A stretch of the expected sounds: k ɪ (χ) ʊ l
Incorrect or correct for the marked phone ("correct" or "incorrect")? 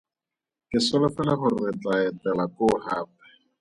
incorrect